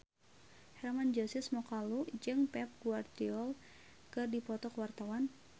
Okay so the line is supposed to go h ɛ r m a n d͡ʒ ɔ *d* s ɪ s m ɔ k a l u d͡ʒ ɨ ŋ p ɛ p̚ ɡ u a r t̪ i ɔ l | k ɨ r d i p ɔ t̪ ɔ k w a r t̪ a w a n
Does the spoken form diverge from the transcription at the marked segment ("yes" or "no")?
yes